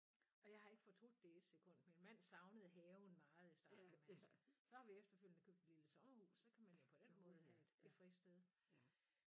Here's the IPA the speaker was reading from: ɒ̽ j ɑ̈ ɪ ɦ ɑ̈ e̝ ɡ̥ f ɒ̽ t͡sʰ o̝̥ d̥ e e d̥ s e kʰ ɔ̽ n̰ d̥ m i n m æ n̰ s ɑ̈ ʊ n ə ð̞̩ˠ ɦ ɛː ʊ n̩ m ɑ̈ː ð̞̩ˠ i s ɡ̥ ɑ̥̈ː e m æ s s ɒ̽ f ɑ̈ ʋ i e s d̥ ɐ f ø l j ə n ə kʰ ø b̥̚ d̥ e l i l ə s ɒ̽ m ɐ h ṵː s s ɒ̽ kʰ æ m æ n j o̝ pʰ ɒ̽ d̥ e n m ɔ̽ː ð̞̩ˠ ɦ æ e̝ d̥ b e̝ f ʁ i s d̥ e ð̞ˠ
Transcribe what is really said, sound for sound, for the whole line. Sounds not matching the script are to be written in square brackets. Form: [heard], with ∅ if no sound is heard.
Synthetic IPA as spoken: ɒ̽ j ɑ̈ ɪ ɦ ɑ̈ e̝ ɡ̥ f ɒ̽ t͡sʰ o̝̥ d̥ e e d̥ s e kʰ ɔ̽ n̰ d̥ m i n m æ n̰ s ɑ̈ ʊ n ə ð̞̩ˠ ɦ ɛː ʊ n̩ m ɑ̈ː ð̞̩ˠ i s [d̥] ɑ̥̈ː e m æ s s ɒ̽ [h] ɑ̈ ʋ i e [f] d̥ ɐ f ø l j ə n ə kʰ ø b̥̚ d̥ e l i l ə s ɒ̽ m ɐ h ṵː s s ɒ̽ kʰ æ m æ n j o̝ pʰ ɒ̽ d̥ e n m ɔ̽ː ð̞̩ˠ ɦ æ e̝ d̥ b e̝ f ʁ i s d̥ e ð̞ˠ